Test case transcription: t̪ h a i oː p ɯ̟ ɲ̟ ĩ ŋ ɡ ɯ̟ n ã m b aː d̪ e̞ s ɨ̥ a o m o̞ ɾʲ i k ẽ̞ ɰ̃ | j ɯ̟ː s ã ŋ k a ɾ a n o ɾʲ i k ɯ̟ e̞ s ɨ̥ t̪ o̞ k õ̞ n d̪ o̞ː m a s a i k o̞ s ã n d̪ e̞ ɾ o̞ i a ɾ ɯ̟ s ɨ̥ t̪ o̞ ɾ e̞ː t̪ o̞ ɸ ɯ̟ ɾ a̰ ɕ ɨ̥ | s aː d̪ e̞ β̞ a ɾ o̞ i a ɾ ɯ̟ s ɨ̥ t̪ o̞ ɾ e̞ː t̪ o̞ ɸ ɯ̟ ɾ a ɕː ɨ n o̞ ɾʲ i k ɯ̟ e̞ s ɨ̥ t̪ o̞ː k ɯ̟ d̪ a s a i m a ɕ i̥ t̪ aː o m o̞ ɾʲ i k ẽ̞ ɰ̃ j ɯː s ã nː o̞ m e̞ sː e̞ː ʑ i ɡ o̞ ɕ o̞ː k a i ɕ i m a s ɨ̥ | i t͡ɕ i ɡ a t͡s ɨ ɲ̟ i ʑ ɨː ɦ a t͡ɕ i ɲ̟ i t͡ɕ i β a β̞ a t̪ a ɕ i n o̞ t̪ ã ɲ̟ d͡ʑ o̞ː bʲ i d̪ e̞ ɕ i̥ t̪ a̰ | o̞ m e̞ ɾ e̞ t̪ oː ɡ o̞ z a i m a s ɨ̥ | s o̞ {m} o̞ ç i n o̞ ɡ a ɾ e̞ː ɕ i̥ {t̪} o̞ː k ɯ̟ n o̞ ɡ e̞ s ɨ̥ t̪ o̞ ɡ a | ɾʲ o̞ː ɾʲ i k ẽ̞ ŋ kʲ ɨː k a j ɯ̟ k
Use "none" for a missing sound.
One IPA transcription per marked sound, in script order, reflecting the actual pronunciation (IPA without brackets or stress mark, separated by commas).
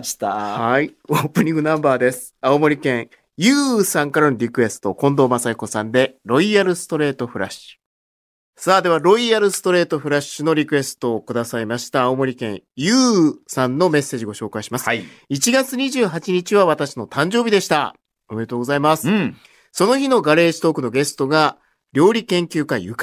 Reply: n, t̪